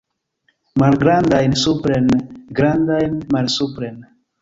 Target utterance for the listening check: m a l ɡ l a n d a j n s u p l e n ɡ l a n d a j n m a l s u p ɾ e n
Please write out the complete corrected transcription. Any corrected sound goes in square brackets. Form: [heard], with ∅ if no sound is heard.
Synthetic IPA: m a l ɡ [ɾ] a n d a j n s u p [ɾ] e n ɡ [ɾ] a n d a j n m a l s u p ɾ e n